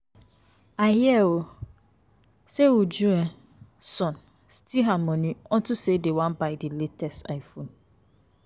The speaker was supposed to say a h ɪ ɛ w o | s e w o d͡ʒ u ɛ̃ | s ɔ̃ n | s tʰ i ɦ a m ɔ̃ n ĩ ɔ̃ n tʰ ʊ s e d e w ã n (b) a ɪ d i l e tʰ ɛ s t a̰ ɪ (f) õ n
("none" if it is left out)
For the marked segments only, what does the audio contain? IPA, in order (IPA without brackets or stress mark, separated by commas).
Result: b, f